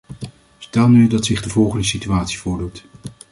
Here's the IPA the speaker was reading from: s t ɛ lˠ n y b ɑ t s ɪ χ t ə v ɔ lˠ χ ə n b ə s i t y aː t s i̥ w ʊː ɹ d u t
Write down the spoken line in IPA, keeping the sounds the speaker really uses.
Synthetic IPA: s t ɛ lˠ n y d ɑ t s ɪ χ d ə v ɔ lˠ χ ə n d ə s i t y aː t s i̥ v ʊː ɹ d u t